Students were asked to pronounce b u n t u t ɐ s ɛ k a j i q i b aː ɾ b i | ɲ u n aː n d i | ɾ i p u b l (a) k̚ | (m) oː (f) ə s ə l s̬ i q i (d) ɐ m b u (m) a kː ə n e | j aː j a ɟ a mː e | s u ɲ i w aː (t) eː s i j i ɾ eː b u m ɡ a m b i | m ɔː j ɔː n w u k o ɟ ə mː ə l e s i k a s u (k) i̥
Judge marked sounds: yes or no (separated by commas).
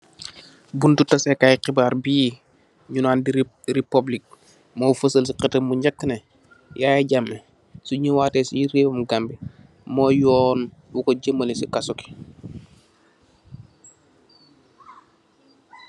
no, yes, yes, no, no, yes, yes